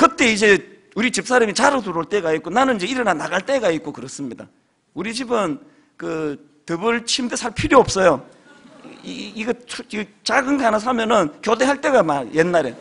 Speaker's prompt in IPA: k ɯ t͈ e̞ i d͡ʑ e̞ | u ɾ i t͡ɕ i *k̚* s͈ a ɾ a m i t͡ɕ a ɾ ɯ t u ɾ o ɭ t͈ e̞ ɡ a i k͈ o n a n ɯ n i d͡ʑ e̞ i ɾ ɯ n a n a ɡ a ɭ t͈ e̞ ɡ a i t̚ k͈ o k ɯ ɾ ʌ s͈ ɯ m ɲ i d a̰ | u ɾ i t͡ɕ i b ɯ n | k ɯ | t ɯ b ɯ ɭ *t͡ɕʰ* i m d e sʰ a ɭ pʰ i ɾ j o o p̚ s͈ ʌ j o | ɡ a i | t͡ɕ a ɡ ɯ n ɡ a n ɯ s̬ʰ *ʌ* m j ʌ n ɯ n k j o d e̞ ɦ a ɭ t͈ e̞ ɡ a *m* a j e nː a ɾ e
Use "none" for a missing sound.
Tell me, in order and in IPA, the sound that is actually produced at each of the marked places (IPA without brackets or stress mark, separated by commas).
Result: p̚, t͡ɕʰ, a, m